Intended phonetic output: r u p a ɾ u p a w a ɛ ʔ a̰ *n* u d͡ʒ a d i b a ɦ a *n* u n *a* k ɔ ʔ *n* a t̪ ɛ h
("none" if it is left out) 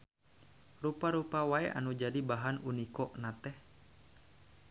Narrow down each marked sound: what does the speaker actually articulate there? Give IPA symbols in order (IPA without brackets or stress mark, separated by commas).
n, n, i, n